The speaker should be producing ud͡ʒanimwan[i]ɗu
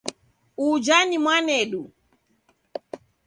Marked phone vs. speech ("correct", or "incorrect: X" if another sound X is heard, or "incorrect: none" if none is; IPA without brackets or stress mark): incorrect: ɛ